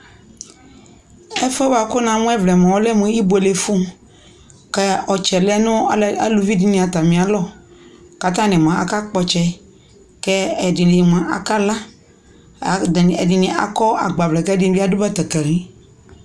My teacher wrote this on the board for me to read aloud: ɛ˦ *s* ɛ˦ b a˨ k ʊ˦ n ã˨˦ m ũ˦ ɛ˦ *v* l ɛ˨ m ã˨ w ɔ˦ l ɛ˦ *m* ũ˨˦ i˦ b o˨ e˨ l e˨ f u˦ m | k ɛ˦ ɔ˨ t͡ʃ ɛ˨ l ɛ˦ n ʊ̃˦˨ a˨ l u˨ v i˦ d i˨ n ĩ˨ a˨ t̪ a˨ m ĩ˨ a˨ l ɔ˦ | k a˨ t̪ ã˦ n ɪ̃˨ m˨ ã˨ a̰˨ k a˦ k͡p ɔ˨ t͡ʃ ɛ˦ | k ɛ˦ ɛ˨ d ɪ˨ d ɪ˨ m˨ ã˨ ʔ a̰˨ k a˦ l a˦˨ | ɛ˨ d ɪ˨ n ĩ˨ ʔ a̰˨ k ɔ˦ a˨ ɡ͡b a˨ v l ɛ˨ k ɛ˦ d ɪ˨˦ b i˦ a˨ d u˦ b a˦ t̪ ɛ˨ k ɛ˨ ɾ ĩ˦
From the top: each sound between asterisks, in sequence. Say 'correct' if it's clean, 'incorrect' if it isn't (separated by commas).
incorrect, correct, correct